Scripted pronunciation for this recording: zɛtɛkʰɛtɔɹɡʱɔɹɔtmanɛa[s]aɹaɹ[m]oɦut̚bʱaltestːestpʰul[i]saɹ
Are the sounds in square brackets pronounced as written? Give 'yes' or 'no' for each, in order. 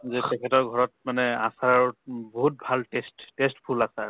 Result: yes, no, no

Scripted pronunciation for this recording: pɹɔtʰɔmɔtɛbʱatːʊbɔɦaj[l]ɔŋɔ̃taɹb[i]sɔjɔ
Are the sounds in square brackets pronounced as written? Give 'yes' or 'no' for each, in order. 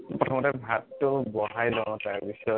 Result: yes, yes

